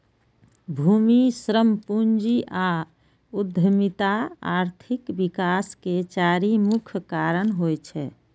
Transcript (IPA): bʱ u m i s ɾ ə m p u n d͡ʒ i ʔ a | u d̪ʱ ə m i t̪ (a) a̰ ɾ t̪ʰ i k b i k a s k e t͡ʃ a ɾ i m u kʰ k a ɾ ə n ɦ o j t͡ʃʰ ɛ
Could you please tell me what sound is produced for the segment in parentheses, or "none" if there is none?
a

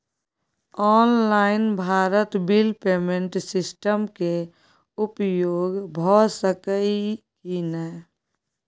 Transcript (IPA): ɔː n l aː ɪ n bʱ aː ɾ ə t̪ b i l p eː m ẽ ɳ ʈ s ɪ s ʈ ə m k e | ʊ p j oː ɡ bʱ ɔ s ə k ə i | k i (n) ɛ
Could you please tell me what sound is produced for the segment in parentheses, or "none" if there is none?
n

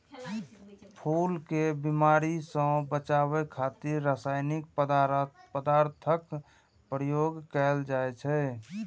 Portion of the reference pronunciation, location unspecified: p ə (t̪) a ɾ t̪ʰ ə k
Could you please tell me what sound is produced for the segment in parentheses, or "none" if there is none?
d̪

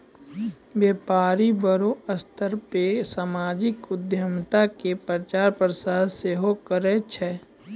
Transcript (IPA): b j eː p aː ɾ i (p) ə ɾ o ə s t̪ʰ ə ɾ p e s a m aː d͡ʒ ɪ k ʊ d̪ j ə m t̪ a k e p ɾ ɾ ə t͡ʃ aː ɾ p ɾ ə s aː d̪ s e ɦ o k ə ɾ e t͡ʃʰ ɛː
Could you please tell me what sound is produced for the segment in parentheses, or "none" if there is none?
b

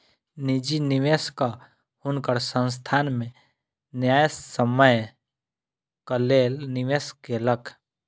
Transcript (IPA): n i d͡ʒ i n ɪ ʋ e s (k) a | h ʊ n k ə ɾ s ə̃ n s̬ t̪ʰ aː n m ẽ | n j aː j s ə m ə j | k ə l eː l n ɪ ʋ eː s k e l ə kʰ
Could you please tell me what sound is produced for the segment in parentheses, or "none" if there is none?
k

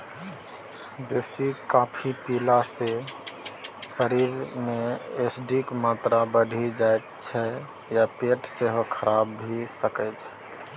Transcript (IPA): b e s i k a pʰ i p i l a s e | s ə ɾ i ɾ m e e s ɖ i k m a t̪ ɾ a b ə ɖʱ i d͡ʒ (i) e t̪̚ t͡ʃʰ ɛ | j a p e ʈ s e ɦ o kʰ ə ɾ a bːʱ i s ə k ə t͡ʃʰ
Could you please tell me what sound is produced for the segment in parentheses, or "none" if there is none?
a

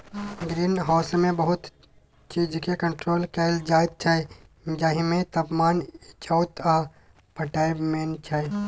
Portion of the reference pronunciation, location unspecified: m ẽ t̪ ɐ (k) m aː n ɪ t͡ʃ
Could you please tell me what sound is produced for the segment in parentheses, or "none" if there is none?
p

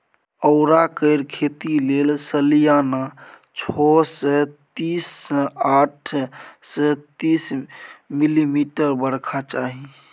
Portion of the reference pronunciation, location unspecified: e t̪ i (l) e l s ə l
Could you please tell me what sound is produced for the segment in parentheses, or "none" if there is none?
l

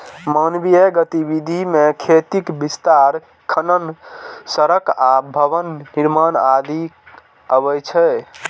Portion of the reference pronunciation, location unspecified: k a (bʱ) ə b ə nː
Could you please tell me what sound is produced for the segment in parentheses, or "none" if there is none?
bʱ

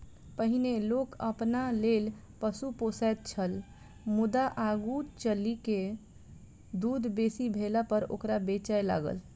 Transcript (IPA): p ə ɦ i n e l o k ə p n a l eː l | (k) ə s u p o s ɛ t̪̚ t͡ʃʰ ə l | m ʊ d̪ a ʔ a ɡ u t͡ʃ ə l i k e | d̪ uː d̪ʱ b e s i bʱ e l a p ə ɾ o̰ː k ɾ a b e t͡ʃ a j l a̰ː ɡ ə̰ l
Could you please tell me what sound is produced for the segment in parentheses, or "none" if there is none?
p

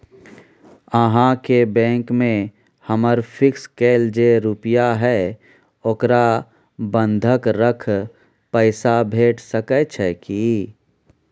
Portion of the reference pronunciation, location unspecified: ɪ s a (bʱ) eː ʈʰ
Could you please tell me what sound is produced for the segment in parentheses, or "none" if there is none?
bʱ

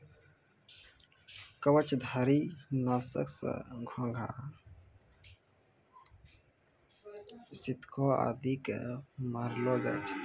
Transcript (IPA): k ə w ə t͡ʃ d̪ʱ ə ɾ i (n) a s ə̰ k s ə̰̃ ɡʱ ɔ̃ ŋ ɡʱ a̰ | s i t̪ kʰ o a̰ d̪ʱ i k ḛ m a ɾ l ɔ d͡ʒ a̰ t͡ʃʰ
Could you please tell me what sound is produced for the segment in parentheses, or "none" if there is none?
n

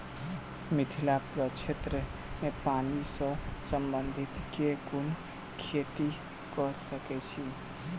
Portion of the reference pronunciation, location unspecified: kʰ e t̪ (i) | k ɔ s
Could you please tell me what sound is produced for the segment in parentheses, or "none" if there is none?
i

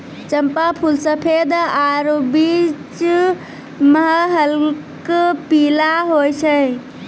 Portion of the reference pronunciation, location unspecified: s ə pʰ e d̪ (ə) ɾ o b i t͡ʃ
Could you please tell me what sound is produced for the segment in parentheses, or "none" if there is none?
a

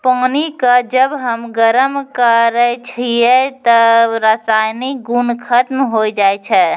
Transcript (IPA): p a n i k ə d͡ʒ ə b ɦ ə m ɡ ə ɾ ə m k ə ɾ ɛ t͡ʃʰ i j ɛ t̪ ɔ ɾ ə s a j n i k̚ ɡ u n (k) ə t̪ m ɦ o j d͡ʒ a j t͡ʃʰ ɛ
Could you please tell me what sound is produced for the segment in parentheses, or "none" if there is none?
kʰ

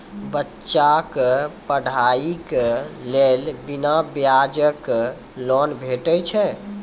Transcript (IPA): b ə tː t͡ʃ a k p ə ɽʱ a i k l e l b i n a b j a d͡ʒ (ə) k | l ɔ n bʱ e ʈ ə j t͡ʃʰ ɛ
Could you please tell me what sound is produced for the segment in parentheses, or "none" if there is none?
ə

